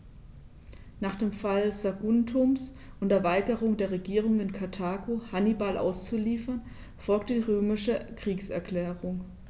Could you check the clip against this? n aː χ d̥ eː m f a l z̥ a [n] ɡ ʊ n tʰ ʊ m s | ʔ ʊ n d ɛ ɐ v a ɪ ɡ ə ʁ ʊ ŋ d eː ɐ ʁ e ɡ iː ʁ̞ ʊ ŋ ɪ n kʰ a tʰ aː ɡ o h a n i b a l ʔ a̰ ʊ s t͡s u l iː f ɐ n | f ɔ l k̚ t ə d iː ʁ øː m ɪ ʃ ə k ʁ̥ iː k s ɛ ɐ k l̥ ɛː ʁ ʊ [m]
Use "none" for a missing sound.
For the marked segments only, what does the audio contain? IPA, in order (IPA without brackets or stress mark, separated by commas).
none, ŋ